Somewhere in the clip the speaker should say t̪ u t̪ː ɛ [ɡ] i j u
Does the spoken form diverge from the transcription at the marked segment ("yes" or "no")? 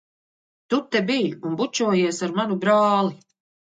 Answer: yes